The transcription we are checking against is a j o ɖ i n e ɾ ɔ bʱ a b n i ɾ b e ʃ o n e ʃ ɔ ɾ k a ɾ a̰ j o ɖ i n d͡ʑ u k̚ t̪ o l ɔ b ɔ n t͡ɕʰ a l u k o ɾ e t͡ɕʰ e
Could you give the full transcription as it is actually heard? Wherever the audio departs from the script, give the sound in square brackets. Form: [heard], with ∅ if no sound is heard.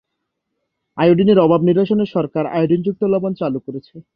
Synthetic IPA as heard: a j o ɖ i n e ɾ ɔ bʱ a b n i ɾ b [a] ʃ o n e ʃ ɔ ɾ k a ɾ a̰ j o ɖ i n d͡ʑ u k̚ t̪ o l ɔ b [o] n [t͡ɕ] a l u k o ɾ e t͡ɕʰ e